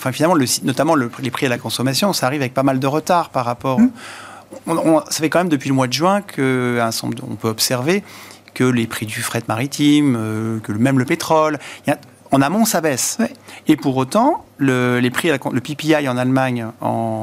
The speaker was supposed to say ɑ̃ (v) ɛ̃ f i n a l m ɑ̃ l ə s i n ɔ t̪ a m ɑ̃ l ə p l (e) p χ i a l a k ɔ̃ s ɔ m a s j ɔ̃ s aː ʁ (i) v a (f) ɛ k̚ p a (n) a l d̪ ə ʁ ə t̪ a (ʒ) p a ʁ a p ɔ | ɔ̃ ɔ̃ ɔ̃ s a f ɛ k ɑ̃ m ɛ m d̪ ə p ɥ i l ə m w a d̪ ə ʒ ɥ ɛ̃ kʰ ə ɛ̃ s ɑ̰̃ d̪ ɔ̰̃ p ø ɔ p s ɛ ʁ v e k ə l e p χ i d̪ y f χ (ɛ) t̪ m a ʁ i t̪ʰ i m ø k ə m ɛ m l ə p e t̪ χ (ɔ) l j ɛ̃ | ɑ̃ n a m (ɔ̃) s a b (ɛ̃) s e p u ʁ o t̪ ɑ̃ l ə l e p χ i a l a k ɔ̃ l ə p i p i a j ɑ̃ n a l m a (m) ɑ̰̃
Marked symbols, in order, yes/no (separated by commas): no, yes, yes, no, no, no, yes, yes, yes, no, no